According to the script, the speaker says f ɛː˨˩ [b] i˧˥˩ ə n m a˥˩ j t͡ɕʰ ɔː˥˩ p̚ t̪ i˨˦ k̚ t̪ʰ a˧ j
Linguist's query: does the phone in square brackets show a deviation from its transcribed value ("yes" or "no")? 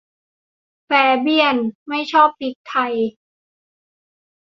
no